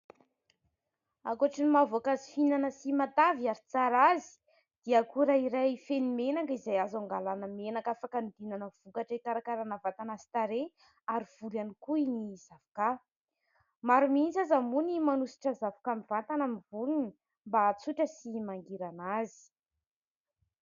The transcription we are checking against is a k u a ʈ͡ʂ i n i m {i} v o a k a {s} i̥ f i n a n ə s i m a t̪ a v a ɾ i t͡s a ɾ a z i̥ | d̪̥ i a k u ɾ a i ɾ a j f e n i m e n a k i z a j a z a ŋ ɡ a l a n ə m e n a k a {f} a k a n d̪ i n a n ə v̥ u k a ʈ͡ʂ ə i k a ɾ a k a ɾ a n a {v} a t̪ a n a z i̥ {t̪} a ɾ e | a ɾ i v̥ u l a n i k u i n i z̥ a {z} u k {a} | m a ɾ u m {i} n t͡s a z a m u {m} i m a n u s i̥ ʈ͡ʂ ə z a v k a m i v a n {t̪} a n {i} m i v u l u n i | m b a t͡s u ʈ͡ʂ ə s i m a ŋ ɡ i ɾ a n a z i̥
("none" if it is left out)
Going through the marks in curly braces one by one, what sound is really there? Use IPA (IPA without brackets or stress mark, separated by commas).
a, z, f, v, t̪, v, a, i, n, t̪, a